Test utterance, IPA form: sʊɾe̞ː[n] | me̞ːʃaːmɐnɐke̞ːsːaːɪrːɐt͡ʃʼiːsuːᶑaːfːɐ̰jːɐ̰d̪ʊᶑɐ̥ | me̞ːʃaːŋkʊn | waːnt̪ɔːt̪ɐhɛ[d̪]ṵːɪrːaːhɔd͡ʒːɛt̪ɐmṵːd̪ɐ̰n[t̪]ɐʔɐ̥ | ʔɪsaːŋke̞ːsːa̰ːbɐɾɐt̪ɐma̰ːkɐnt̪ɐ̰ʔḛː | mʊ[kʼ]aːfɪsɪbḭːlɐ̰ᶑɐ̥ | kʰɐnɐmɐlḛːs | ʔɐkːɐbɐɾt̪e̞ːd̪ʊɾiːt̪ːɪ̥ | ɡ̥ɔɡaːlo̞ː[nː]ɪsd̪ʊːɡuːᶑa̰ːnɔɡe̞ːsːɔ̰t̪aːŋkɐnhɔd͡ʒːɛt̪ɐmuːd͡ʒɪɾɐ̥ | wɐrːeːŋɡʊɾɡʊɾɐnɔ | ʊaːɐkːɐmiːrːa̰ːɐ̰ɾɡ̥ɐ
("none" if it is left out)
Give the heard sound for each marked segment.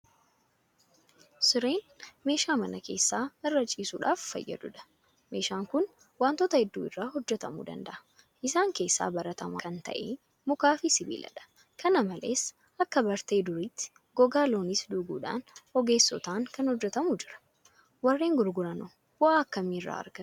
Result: n, d̪ː, d̪, k, n

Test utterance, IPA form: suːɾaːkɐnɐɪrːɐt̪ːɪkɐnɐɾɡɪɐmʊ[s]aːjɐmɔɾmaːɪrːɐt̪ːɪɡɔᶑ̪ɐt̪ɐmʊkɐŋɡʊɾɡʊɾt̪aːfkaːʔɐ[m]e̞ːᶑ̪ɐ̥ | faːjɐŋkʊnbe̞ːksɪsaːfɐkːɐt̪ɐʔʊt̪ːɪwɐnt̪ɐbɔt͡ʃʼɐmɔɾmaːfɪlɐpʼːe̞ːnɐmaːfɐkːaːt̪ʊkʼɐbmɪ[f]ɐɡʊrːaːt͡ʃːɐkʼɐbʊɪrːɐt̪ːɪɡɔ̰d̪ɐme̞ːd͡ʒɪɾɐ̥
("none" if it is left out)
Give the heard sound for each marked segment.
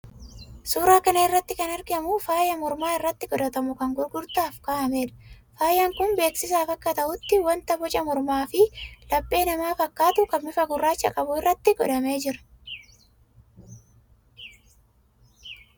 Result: f, m, f

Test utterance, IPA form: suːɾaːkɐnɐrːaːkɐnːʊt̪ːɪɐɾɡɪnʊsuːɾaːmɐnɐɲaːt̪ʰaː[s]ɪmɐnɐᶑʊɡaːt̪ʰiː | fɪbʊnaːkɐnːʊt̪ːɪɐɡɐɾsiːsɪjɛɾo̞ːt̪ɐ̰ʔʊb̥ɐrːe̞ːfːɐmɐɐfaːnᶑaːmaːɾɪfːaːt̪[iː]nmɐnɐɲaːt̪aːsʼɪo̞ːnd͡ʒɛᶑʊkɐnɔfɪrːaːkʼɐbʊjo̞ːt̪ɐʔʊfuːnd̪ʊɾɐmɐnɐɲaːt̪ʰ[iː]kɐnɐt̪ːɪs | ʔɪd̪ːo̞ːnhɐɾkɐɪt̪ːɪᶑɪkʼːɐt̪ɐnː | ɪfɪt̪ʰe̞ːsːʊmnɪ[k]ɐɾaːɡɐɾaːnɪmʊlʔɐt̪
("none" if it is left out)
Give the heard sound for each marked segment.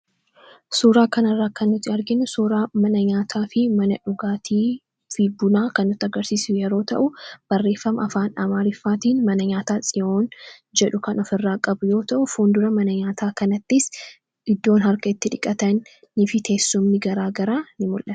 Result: f, iː, aː, ɡ

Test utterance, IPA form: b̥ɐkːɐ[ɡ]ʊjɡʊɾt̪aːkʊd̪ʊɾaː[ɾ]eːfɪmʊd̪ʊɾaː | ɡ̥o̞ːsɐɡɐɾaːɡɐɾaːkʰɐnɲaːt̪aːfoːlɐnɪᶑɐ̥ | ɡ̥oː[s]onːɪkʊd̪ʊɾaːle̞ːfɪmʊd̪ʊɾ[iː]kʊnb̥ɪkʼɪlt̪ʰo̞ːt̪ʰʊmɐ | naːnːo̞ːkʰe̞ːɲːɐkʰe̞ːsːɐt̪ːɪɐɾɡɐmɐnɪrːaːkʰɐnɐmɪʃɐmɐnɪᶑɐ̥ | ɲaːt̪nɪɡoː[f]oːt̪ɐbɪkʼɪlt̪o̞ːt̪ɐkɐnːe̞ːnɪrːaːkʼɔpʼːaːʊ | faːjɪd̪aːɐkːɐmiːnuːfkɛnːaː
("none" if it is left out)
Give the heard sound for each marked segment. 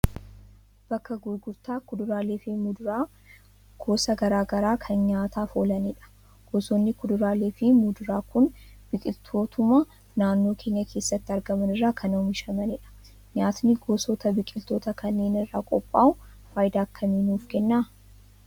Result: ɡ, l, s, aː, s

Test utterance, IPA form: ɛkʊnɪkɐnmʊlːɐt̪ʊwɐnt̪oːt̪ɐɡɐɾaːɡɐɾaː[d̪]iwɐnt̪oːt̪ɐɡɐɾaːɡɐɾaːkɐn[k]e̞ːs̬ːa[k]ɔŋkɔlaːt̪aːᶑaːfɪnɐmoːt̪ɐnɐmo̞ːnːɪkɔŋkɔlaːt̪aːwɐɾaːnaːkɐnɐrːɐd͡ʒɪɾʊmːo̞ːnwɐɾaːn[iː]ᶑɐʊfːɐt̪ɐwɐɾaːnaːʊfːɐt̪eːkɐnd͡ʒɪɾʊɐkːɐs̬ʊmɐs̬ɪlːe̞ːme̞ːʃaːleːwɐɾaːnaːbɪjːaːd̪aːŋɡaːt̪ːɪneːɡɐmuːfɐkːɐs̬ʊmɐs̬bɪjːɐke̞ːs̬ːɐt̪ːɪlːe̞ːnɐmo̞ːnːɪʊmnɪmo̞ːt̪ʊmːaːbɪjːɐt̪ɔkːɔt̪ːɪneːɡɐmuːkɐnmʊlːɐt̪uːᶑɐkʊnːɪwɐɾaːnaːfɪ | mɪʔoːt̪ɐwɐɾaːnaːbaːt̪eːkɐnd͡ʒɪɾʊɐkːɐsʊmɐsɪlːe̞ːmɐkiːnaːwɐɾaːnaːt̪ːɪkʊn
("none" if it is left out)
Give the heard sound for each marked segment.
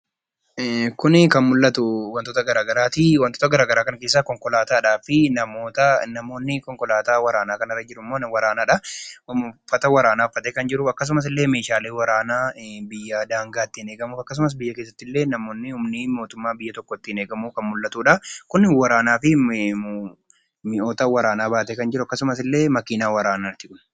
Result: t̪, k, k, aː

